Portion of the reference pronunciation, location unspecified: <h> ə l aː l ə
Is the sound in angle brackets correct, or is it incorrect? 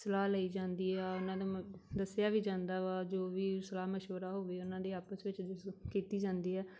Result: incorrect